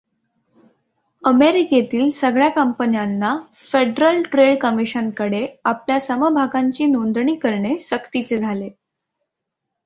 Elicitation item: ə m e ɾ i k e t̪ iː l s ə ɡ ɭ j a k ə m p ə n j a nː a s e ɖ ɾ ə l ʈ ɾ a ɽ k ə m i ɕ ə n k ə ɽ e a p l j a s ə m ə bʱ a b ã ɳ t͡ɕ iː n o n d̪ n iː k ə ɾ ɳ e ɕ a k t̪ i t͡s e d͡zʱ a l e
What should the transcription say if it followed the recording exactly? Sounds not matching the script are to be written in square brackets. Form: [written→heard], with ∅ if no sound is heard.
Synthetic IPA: ə m e ɾ i k e t̪ iː l s ə ɡ ɭ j a k ə m p ə n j a nː a [s→f] e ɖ ɾ ə l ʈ ɾ [a→e] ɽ k ə m i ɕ ə n k ə ɽ e a p l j a s ə m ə bʱ a [b→ɡ] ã [ɳ→ɲ] t͡ɕ iː n o n d̪ [n→ɳ] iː k ə ɾ ɳ e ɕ [a→ə] k t̪ i t͡s e d͡zʱ a l e

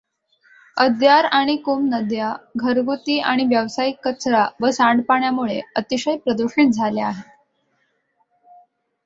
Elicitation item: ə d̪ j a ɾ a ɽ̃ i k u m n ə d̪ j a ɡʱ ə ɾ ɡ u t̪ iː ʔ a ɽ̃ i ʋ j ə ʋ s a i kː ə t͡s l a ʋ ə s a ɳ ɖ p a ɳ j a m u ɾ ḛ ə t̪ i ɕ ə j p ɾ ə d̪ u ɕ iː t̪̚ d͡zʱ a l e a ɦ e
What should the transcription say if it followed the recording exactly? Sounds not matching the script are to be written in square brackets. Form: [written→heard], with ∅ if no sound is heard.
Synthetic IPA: ə d̪ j a ɾ a ɽ̃ i k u m n ə d̪ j a ɡʱ ə ɾ ɡ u t̪ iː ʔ a ɽ̃ i ʋ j ə ʋ s a i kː ə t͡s [l→ɾ] a ʋ ə s a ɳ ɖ p a ɳ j a m u [ɾ→ɭ] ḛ ə t̪ i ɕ ə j p ɾ ə d̪ u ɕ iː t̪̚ d͡zʱ a l e a ɦ e

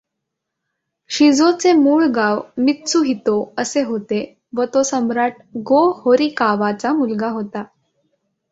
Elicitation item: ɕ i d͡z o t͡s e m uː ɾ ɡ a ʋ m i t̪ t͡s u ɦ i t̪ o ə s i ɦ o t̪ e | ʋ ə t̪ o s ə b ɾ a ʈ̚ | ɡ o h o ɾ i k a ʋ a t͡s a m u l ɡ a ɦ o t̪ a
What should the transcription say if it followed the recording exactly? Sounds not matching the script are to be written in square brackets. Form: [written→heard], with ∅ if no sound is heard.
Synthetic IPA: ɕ i d͡z o t͡s e m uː [ɾ→ɭ] ɡ a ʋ m i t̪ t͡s u ɦ i t̪ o ə s [i→e] ɦ o t̪ e | ʋ ə t̪ o s ə [b→m] ɾ a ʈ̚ | ɡ o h o ɾ i k a ʋ a t͡s a m u l ɡ a ɦ o t̪ a

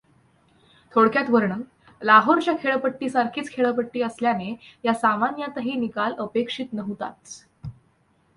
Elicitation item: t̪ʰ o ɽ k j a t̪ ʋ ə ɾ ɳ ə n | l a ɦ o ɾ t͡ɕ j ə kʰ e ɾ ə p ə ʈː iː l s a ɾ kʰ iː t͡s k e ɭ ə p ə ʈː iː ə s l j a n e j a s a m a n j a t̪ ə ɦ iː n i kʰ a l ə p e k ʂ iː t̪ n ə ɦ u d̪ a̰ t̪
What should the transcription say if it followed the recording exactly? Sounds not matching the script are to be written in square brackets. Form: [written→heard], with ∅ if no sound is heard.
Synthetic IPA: t̪ʰ o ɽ k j a t̪ ʋ ə ɾ ɳ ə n | l a ɦ o ɾ t͡ɕ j [ə→a] kʰ e [ɾ→ɭ] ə p ə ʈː iː [l→∅] s a ɾ kʰ iː t͡s [k→kʰ] e ɭ ə p ə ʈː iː ə s l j a n e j a s a m a n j a t̪ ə ɦ iː n i [kʰ→k] a l ə p e k ʂ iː t̪ n ə ɦ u [d̪→t̪] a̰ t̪

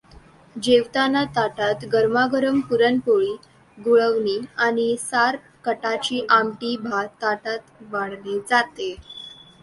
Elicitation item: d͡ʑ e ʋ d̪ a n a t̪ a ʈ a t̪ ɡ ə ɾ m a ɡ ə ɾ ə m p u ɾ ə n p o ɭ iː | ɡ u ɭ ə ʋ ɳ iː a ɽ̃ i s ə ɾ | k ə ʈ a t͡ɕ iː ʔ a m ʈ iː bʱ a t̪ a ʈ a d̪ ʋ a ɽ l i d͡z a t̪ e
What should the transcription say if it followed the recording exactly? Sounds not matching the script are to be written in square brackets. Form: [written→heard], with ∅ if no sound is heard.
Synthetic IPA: d͡ʑ e ʋ [d̪→t̪] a n a t̪ a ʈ a t̪ ɡ ə ɾ m a ɡ ə ɾ ə m p u ɾ ə n p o ɭ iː | ɡ u ɭ ə ʋ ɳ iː a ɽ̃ i s [ə→a] ɾ | k ə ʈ a t͡ɕ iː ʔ a m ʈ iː bʱ a t̪ a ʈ a [d̪→t̪] ʋ a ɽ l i d͡z a t̪ e

